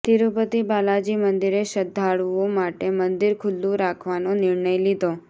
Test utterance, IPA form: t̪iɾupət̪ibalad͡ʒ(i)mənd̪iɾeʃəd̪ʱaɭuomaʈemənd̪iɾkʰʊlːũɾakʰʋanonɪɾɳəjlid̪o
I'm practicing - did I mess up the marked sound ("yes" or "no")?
no